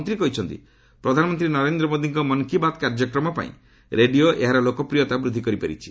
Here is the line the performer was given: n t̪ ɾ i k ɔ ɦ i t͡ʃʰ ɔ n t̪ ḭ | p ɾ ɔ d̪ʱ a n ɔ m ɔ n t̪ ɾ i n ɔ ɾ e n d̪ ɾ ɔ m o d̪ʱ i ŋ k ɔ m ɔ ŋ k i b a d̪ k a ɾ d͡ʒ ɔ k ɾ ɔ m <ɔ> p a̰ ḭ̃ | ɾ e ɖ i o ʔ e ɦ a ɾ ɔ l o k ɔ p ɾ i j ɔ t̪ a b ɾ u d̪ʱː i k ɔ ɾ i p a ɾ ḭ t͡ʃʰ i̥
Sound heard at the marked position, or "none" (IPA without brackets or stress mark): ɔ